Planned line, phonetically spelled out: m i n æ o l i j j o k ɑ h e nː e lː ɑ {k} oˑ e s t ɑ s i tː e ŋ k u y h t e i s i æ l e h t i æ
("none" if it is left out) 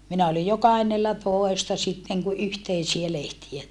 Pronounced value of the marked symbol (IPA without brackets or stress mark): t